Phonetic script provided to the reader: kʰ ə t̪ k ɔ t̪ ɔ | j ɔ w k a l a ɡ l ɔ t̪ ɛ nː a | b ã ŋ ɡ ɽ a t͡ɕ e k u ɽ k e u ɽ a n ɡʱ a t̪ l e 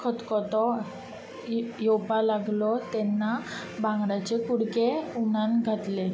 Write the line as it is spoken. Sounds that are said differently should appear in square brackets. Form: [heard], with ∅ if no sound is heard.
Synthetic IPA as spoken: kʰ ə t̪ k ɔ t̪ ɔ | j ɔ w [p] a l a ɡ l ɔ t̪ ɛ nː a | b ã ŋ ɡ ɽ a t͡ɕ e k u ɽ k e u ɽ a n ɡʱ a t̪ l e